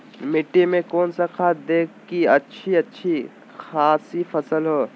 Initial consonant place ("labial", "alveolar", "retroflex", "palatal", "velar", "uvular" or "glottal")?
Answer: labial